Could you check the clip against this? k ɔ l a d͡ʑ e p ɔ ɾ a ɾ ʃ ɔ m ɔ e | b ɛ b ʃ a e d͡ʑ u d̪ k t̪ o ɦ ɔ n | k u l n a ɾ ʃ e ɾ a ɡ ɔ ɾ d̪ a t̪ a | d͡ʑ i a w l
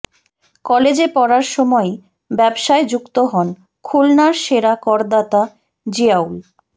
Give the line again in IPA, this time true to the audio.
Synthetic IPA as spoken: k ɔ l e d͡ʑ e p ɔ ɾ a ɾ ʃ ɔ m ɔ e | b ɛ b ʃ a e d͡ʑ u k t̪ o ɦ ɔ n | kʰ u l n a ɾ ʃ e ɾ a k ɔ ɾ d̪ a t̪ a | d͡ʑ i a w l